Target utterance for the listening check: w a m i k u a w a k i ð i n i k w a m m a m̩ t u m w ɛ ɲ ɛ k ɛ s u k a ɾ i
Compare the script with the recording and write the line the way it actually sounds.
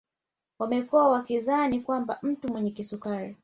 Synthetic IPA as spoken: w a m ɛ k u a w a k i ð a n i k w a m b a m̩ t u m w ɛ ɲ ɛ k i s u k a ɾ i